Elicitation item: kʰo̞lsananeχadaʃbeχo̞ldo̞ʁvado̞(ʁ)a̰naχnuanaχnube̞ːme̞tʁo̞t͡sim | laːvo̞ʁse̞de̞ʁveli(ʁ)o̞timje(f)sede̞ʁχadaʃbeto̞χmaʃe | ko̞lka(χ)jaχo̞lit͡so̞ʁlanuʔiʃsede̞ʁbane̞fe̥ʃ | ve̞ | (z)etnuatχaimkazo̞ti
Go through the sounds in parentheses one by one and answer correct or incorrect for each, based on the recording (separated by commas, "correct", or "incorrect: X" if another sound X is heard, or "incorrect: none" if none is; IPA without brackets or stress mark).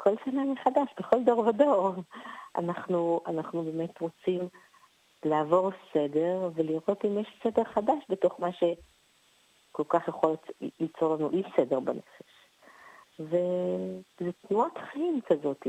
correct, correct, incorrect: ʃ, correct, correct